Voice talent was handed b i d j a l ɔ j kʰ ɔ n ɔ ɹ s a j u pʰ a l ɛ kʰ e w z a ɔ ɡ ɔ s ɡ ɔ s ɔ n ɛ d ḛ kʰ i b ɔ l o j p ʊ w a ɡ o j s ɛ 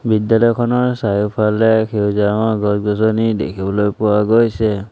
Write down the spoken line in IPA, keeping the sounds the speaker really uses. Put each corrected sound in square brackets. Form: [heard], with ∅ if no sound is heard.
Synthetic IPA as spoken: b i d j a l ɔ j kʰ ɔ n ɔ ɹ s a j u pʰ a l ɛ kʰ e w z a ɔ ɡ ɔ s ɡ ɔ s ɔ n [i] d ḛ kʰ i b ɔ l o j p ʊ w a ɡ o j s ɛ